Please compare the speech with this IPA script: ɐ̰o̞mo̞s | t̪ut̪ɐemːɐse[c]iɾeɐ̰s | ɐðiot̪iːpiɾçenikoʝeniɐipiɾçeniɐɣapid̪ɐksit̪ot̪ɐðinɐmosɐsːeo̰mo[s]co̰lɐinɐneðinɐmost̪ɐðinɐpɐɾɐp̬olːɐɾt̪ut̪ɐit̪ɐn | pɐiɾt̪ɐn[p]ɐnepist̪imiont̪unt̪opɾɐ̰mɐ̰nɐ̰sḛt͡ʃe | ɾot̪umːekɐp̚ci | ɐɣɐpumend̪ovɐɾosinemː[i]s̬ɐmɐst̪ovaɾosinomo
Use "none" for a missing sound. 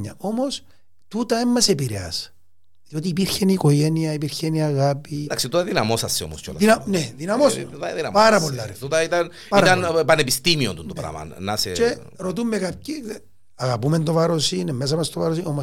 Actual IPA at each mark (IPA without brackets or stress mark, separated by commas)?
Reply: p, s, p, e